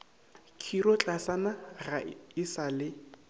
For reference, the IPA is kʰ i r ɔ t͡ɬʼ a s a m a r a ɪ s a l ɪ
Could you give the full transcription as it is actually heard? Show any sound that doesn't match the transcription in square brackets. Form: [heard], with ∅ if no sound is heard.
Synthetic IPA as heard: kʰ i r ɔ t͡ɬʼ a s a [n] a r a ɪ s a l ɪ